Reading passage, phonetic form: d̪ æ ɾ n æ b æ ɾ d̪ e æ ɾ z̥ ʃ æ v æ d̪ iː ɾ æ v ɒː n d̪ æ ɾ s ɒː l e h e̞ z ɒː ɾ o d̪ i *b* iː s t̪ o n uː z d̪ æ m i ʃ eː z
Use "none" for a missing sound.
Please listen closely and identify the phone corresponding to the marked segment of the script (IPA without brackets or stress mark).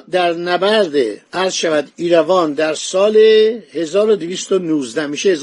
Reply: v